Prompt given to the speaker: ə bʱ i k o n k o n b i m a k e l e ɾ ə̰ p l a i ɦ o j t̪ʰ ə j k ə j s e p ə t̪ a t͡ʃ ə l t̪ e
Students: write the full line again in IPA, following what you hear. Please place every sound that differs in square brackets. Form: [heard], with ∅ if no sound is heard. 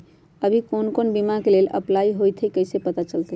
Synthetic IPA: ə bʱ i k o n k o n b i m a k e l e [l] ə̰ p l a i ɦ o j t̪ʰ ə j k ə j s e p ə t̪ a t͡ʃ ə l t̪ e